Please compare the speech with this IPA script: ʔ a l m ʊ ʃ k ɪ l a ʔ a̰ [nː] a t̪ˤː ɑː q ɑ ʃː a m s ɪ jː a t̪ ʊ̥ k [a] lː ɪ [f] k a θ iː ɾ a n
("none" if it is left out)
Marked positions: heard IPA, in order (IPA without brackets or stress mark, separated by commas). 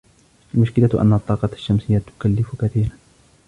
nː, a, f